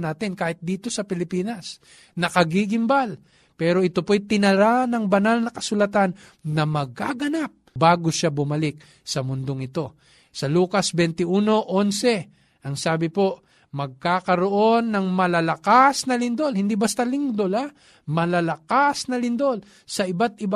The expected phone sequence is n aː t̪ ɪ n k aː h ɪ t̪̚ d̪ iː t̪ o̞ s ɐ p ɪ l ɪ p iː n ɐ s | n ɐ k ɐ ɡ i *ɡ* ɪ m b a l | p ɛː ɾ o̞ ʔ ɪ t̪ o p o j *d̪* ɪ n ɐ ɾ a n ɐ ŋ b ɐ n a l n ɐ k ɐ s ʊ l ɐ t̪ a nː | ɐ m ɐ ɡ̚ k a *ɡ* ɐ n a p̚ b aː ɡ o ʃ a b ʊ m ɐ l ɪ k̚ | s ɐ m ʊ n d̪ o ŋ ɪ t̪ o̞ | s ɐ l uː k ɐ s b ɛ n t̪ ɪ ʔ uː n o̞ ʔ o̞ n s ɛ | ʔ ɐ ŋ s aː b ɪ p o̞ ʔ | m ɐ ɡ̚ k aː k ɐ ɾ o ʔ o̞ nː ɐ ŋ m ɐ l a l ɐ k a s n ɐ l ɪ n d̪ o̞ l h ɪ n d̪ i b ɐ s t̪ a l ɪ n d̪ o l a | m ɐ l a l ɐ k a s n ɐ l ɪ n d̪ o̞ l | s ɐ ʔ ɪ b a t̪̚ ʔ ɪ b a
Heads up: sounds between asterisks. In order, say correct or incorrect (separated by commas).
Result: correct, incorrect, correct